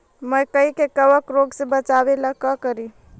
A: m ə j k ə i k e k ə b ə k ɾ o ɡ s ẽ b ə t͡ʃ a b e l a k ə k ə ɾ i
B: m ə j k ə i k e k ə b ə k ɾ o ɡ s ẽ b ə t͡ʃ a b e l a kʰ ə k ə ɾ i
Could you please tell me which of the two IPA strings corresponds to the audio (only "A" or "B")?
A